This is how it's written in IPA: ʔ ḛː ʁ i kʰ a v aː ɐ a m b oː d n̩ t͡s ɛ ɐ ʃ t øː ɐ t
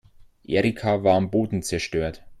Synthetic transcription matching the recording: ʔ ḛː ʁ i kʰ a v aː ɐ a m b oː d n̩ t͡s ɛ ɐ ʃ t øː ɐ t